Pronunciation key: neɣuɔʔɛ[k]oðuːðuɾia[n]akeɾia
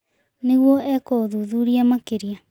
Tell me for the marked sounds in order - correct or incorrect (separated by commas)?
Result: correct, incorrect